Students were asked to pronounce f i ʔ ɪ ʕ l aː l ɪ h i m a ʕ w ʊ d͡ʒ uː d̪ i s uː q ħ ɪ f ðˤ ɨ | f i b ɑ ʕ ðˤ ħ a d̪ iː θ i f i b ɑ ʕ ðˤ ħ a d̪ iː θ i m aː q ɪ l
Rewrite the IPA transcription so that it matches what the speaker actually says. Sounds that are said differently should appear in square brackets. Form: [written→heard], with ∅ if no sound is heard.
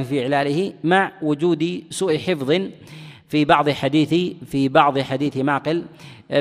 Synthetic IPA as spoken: f i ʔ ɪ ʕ l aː l ɪ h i m a ʕ w ʊ d͡ʒ uː d̪ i s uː [q→ʔ] ħ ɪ f ðˤ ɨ | f i b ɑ ʕ ðˤ ħ a d̪ iː θ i f i b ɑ ʕ ðˤ ħ a d̪ iː θ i m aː q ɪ l